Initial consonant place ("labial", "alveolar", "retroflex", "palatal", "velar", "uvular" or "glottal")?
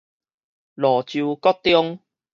alveolar